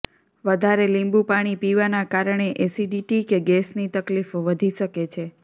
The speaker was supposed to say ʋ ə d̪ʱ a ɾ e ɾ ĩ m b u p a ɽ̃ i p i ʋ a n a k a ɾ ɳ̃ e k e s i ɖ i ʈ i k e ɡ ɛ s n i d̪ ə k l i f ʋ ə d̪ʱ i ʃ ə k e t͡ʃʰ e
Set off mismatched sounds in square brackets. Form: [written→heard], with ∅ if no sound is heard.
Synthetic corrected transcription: ʋ ə d̪ʱ a ɾ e [ɾ→l] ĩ m b u p a ɽ̃ i p i ʋ a n a k a ɾ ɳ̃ e [k→ʔ] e s i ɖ i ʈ i k e ɡ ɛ s n i [d̪→t̪] ə k l i f ʋ ə d̪ʱ i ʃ ə k e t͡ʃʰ e